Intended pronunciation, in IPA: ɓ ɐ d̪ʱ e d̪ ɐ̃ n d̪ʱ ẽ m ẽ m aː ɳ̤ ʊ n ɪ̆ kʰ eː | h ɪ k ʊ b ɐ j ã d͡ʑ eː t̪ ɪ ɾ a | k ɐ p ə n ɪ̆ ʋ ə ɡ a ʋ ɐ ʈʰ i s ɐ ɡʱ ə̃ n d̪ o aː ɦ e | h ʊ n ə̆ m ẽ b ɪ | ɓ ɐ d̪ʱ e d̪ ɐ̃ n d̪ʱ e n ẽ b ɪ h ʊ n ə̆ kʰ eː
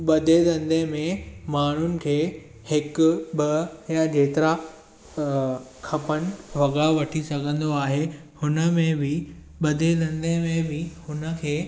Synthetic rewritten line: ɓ ɐ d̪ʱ e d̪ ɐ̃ n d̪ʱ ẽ m ẽ m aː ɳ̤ ʊ n ɪ̆ kʰ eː | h ɪ k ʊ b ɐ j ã d͡ʑ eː t̪ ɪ ɾ a | kʰ ɐ p ə n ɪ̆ ʋ ɐ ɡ a ʋ ɐ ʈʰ i s ɐ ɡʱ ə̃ n d̪ o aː ɦ e | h ʊ n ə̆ m ẽ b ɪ | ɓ ɐ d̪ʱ e d̪ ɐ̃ n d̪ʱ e m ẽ b ɪ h ʊ n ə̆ kʰ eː

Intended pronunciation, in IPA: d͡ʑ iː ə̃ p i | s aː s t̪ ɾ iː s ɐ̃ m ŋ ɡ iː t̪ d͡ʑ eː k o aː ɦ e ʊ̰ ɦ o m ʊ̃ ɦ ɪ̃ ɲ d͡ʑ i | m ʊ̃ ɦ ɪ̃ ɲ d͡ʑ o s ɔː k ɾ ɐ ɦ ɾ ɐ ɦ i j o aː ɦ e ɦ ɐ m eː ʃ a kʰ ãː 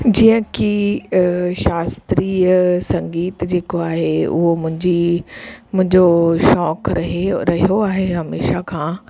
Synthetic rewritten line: d͡ʑ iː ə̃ k i | ʃ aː s t̪ ɾ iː s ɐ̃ ŋ ɡ iː t̪ d͡ʑ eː k o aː ɦ e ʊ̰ ɦ o m ʊ̃ ɦ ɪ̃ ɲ d͡ʑ i | m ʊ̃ ɦ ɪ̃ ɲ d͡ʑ o ʃ ɔː k ɾ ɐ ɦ ɾ ɐ ɦ i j o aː ɦ e ɦ ɐ m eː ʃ a kʰ ãː

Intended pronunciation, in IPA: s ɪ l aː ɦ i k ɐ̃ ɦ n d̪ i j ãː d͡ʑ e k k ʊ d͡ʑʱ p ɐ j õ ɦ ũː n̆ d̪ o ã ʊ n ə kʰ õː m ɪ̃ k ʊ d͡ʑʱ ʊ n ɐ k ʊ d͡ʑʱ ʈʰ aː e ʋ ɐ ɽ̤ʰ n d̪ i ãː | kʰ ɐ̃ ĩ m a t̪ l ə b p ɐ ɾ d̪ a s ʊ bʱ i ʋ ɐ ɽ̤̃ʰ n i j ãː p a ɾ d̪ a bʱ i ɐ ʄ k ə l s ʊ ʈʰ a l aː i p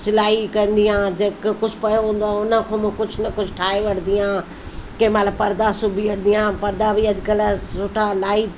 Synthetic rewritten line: s ɪ l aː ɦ i k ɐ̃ n d̪ i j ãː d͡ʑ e k k ʊ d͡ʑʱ p ɐ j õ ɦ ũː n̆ d̪ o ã ʊ n ə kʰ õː m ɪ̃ k ʊ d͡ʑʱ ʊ n ɐ k ʊ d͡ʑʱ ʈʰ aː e ʋ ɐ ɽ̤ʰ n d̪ i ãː | k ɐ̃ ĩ m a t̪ l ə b p ɐ ɾ d̪ a s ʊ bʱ i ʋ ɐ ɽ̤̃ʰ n i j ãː p ɐ ɾ d̪ a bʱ i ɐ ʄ k ə l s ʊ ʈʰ a l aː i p

